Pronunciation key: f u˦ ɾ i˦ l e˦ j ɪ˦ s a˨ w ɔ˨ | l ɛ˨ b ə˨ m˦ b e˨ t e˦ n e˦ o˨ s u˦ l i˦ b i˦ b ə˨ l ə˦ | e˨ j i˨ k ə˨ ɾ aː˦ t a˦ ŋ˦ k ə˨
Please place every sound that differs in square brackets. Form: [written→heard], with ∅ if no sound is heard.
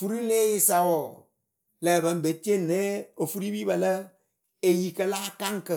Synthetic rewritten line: f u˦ ɾ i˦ l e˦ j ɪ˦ s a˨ w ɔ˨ | l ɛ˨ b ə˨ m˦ b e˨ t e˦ n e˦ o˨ [s→f] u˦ [l→ɾ] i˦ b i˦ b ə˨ l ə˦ | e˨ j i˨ k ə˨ [ɾ→l] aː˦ [t→k] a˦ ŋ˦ k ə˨